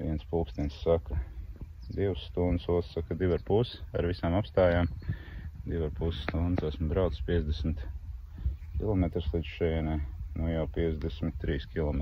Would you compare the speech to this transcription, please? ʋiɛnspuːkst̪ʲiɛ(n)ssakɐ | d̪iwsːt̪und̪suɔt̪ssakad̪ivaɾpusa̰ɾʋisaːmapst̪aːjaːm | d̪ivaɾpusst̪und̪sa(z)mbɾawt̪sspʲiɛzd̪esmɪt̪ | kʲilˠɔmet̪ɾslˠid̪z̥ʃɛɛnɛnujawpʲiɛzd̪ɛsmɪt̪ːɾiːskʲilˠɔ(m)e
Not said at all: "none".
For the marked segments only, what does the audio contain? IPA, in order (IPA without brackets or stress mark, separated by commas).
n, s, m